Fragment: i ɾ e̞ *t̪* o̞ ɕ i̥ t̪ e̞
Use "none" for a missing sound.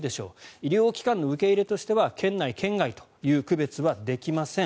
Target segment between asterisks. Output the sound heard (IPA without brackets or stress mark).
t̪